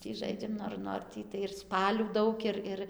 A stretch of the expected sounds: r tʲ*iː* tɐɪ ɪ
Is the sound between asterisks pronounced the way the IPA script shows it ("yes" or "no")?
yes